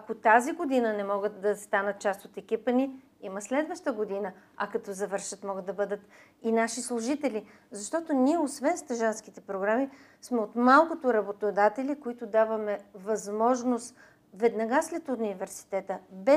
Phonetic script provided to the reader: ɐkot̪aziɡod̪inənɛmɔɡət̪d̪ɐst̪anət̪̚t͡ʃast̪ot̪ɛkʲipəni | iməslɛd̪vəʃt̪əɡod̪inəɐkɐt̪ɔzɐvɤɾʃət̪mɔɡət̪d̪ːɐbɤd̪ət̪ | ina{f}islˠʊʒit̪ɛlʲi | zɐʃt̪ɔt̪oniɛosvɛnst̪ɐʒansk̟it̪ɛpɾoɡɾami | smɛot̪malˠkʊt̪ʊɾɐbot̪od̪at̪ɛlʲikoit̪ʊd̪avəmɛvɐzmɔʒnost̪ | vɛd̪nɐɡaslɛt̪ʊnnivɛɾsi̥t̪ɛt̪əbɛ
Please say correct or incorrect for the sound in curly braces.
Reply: incorrect